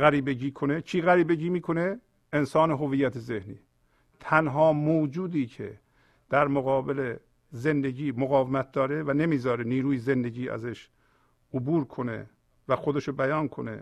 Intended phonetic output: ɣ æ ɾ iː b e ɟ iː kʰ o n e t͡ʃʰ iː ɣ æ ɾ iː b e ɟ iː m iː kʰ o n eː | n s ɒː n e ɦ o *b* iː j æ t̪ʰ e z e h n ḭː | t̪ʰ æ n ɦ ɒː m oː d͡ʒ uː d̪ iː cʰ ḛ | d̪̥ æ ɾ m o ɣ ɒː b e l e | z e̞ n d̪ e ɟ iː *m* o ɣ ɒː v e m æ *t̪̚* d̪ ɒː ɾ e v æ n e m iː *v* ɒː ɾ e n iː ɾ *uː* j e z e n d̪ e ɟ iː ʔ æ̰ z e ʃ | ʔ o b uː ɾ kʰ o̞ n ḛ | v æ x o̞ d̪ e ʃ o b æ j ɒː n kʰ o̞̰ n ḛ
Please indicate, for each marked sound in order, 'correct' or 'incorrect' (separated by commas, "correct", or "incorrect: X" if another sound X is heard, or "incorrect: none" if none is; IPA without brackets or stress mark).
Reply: incorrect: v, correct, correct, incorrect: z, correct